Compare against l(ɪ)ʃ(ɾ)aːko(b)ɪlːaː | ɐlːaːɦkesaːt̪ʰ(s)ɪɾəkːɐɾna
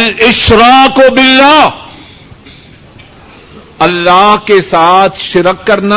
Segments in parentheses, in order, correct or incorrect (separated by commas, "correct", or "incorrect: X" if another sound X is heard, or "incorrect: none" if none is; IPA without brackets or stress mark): correct, correct, correct, incorrect: ʃ